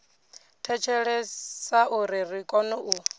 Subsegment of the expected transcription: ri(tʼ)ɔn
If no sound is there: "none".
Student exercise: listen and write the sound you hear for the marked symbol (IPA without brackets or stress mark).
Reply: kʼ